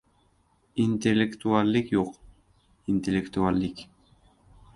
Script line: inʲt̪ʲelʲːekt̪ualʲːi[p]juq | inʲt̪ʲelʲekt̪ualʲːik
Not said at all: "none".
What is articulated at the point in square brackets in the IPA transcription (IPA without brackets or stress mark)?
k